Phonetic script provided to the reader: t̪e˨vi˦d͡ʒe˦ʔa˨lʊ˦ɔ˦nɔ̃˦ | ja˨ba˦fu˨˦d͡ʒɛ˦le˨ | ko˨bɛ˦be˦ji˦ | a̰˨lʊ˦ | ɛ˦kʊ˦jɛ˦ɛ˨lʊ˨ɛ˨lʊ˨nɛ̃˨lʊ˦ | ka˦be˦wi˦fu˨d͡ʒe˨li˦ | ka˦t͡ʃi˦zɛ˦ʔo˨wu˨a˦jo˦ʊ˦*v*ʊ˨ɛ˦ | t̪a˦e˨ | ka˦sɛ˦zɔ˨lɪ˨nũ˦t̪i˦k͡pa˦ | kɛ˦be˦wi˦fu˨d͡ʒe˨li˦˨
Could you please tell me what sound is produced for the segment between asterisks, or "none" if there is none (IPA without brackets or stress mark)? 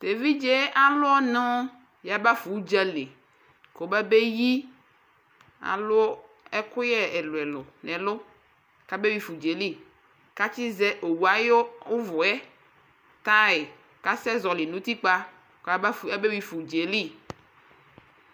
v